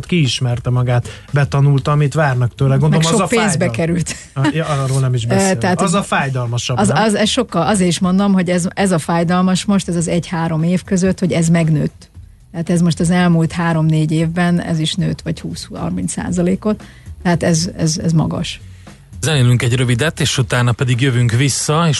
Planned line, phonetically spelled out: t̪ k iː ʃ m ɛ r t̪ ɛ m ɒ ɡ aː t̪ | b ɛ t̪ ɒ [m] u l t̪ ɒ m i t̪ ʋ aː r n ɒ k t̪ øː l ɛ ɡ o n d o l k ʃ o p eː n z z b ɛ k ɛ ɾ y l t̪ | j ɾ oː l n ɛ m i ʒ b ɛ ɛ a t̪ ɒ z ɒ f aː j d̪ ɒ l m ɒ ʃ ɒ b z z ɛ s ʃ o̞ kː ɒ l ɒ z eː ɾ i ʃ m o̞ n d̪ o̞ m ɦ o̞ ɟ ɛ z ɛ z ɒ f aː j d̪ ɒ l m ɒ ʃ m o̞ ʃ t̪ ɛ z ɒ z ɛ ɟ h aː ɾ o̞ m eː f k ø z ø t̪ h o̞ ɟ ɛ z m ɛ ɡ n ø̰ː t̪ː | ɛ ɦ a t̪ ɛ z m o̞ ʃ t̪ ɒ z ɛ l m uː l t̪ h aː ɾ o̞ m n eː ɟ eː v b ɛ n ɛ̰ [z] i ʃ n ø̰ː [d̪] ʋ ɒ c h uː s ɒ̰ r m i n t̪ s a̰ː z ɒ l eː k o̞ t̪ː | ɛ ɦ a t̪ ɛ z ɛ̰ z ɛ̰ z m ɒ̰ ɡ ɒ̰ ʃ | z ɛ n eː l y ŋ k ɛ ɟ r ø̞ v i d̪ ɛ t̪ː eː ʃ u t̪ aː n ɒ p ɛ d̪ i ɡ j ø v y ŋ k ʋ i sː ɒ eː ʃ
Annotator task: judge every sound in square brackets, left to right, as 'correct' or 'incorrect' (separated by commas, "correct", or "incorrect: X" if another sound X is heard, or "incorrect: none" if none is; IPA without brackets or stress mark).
incorrect: n, correct, incorrect: t̪